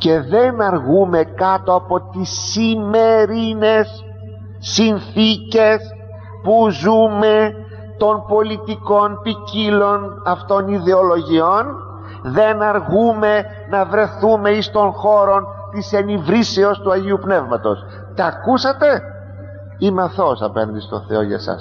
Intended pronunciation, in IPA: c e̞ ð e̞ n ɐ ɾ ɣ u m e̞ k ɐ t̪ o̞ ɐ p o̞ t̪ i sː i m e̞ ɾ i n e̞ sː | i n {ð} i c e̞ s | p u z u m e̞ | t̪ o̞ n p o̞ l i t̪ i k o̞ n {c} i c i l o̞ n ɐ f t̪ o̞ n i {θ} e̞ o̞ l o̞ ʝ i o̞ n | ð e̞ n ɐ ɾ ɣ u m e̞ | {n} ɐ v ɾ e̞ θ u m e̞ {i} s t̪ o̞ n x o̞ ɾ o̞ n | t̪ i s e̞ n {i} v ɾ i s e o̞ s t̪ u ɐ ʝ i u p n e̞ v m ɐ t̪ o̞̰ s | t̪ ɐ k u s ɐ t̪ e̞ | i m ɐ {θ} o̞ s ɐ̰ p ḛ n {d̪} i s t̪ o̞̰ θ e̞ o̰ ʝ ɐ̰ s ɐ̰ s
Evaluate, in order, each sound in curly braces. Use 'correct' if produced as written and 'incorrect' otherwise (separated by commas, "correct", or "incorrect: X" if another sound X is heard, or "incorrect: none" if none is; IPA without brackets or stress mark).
incorrect: θ, incorrect: p, incorrect: ð, correct, correct, correct, correct, correct